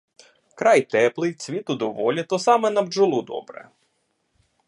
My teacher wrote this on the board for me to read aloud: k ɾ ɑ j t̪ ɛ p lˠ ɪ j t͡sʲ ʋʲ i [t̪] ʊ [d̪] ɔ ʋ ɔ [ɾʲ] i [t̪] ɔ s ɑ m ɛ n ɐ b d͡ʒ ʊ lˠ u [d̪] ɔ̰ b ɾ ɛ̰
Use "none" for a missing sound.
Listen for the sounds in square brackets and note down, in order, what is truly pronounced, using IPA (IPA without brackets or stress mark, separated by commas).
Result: t̪, d̪, lʲ, t̪, d̪